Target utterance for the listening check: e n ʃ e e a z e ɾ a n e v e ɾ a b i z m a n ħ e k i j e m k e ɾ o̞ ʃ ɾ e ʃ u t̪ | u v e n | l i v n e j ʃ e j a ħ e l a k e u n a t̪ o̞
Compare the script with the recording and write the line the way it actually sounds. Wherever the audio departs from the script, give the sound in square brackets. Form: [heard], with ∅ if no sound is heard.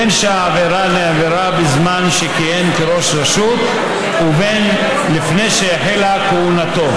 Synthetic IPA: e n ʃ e [a] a [v] e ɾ a n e v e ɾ a b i z m a n [ʃ] e k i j e m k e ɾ o̞ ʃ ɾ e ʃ u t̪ | u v e n | l i [f] n e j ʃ e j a ħ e l a k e u n a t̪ o̞